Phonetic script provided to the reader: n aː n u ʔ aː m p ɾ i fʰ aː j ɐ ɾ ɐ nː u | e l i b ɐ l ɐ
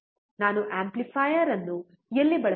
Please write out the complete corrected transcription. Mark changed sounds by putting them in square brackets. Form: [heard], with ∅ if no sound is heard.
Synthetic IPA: n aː n u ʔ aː m p [l] i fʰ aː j ɐ ɾ ɐ nː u | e [lː] i b ɐ [ɭ] ɐ

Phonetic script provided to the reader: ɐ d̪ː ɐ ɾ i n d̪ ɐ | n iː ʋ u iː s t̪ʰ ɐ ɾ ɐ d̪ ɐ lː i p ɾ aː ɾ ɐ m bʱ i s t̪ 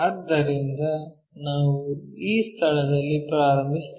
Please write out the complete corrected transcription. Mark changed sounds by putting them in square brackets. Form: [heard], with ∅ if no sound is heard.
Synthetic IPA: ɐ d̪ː ɐ ɾ i n d̪ ɐ | n [aː] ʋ u iː s t̪ʰ ɐ [ɭ] ɐ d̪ ɐ lː i p ɾ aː ɾ ɐ m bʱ i s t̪

